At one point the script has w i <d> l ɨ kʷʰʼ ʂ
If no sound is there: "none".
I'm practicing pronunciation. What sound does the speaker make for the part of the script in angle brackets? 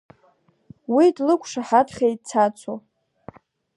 d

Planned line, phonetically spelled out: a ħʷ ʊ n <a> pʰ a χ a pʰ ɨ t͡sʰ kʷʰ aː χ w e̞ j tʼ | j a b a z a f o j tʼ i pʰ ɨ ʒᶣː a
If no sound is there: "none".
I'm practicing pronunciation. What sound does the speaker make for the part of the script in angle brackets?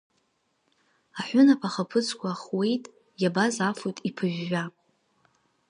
a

